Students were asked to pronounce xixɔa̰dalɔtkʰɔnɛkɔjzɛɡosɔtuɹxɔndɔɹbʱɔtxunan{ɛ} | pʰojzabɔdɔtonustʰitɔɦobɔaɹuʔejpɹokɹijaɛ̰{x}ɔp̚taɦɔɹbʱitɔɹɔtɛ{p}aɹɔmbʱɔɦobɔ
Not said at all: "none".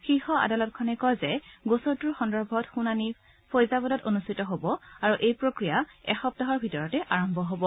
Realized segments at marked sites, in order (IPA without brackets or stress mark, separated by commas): i, x, ʔ